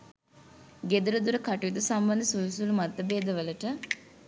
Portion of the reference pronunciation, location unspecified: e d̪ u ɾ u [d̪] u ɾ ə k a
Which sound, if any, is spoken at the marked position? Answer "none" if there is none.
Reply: d̪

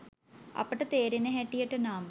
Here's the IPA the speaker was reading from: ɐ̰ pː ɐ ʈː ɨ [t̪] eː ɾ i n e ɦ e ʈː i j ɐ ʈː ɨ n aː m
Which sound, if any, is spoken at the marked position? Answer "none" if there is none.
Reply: t̪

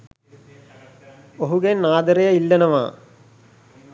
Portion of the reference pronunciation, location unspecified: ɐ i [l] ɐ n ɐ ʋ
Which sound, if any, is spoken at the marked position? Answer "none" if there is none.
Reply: lː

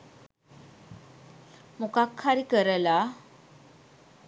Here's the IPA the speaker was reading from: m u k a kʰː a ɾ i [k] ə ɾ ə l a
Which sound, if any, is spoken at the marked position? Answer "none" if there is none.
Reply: k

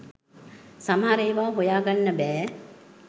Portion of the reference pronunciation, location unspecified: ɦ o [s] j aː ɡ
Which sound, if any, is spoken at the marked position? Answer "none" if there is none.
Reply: none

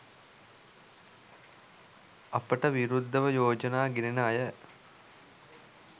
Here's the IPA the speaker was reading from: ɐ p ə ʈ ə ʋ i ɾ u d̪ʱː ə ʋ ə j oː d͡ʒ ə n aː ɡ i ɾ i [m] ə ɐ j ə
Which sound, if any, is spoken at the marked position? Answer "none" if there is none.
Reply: n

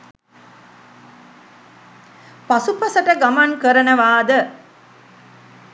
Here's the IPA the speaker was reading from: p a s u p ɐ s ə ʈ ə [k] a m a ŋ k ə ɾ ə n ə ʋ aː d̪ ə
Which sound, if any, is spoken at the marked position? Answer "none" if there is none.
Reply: ɡ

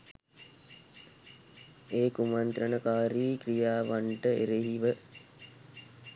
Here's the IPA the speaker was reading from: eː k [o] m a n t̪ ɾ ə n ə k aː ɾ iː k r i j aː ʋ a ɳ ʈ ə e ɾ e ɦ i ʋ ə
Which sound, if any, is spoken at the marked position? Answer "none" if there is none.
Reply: u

